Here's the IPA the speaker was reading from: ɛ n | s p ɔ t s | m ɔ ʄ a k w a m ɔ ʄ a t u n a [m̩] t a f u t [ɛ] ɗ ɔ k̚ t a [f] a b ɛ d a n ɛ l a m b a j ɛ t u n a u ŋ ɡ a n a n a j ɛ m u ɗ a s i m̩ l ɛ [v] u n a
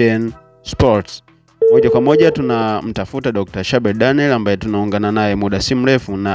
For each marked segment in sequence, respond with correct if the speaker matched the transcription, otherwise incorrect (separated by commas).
correct, incorrect, incorrect, incorrect